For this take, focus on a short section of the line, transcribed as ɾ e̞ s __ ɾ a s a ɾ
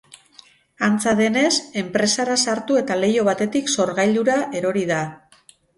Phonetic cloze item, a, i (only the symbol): a